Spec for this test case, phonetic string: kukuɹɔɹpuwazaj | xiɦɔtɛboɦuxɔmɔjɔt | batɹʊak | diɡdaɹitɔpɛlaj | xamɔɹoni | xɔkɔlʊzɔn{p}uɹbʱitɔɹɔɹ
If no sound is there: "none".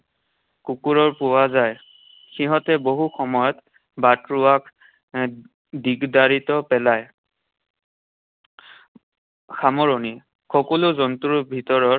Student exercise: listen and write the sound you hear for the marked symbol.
t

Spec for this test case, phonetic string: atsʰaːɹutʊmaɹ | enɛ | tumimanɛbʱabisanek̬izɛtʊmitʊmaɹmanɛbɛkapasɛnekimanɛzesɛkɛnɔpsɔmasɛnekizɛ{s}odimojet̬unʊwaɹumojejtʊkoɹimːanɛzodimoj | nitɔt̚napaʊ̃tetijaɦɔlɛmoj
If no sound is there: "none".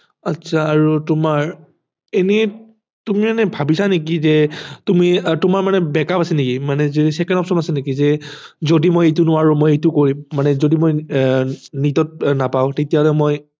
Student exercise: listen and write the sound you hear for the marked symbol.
z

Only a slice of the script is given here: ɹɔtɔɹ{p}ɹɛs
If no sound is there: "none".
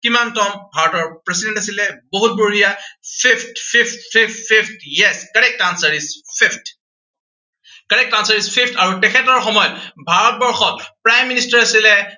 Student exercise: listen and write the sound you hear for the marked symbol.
p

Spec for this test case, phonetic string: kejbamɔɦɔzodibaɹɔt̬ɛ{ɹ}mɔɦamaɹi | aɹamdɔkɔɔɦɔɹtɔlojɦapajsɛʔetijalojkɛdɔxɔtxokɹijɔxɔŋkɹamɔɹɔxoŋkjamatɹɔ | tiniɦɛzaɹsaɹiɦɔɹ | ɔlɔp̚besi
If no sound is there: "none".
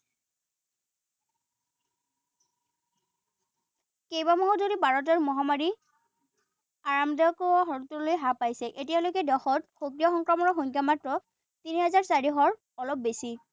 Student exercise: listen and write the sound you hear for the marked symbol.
ɹ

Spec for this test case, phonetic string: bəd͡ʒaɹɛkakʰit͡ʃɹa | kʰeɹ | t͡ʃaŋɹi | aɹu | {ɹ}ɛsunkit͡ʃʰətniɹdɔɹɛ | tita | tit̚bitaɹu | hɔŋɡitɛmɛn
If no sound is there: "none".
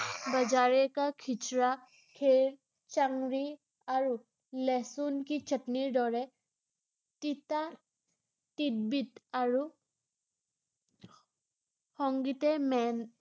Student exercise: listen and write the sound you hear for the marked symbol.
l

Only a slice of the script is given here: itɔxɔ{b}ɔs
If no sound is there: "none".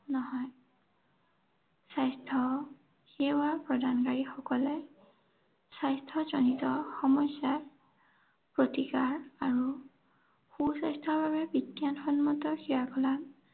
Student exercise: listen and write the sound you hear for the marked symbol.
m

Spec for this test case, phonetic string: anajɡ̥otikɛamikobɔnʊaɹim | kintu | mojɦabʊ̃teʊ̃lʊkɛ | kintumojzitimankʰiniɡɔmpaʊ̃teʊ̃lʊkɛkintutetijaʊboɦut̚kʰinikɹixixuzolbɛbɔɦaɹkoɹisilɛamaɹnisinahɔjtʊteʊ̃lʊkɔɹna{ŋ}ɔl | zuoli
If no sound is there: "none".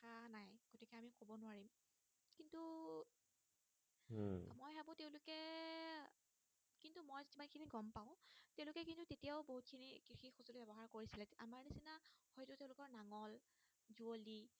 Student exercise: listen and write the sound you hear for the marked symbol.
ŋ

